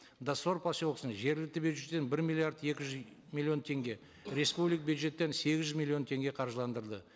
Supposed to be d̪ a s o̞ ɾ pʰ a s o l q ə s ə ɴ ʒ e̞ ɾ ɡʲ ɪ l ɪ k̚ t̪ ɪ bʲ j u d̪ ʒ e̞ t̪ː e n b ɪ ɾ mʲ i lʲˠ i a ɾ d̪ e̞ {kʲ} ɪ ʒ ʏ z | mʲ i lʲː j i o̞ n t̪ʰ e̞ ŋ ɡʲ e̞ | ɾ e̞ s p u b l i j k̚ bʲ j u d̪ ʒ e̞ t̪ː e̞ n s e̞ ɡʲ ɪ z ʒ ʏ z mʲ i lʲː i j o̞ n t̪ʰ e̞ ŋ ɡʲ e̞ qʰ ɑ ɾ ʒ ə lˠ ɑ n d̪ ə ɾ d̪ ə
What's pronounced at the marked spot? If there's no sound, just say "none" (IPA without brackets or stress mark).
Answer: kʲ